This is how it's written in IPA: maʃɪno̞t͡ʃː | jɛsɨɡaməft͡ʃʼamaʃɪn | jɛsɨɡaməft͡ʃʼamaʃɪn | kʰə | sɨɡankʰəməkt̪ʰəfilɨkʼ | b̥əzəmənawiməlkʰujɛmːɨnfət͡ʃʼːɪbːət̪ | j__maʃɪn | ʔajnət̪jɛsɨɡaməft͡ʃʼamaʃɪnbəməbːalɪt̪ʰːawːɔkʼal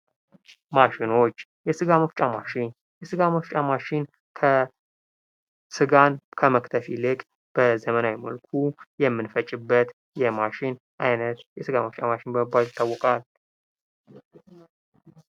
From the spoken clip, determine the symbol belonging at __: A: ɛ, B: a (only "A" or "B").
A